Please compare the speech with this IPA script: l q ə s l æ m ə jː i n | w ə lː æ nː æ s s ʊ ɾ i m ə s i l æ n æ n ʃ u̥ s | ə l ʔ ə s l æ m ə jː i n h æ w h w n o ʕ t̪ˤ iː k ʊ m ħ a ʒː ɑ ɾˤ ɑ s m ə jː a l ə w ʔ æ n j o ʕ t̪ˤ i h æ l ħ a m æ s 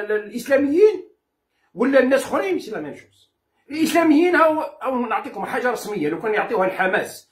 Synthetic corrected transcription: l ʔ ə s l æ m ə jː i n | w ə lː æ nː æ s x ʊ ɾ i m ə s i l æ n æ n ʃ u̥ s | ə l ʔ ə s l æ m ə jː i n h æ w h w n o ʕ t̪ˤ i k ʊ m ħ a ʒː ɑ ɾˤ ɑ s m ə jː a l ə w k æ n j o ʕ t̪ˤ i h æ l ħ a m æ s